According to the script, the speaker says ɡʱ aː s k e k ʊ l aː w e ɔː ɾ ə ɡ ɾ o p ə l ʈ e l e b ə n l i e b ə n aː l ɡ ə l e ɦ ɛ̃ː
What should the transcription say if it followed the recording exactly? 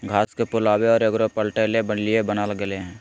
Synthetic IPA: ɡʱ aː s k e p ʊ l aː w e ɔː ɾ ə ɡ ɾ o p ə l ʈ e l e b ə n l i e b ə n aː l ɡ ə l e ɦ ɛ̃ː